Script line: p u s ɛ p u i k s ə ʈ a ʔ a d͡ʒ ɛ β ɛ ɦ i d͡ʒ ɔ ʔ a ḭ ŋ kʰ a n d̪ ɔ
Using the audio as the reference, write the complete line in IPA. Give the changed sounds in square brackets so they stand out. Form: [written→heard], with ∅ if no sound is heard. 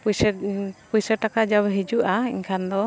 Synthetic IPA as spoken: p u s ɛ p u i [k→∅] s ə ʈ a [ʔ→k] a d͡ʒ [ɛ→a] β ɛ ɦ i d͡ʒ [ɔ→u] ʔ a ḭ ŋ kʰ a n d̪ ɔ